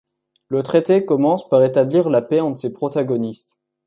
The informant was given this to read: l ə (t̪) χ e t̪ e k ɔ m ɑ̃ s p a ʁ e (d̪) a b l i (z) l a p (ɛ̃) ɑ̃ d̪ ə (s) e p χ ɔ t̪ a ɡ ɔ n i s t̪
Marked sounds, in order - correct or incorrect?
correct, incorrect: t̪, incorrect: ʁ, incorrect: ɛ, correct

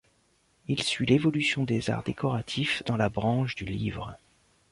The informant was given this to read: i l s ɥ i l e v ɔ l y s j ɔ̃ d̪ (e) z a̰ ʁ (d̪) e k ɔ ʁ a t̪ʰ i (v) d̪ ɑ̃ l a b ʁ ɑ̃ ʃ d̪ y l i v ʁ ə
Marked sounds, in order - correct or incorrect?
correct, correct, incorrect: f

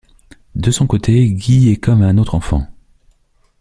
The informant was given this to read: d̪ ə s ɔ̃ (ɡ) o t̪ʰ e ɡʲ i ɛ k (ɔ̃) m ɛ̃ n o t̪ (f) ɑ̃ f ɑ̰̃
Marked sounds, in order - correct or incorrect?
incorrect: k, incorrect: ɔ, incorrect: χ

